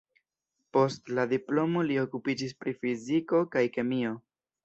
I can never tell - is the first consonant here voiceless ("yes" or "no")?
yes